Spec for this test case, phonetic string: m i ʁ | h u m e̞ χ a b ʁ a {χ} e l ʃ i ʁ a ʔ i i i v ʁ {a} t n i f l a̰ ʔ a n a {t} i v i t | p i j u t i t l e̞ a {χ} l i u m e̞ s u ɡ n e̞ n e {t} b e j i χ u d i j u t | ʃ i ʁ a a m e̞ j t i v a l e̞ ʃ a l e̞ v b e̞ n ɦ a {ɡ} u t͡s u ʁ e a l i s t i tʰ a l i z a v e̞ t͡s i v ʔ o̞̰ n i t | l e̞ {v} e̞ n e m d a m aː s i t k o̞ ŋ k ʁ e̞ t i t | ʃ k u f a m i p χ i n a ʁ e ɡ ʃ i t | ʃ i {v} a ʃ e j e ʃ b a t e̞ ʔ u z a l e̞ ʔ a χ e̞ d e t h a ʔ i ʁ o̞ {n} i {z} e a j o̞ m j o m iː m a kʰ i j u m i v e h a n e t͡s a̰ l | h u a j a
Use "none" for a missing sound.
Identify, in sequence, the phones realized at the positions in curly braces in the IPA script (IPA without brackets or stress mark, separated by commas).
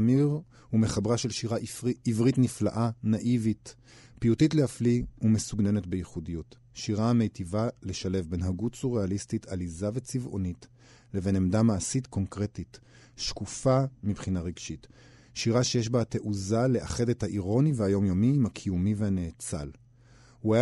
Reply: ʃ, i, ʔ, f, t, ɡ, v, ʁ, n, v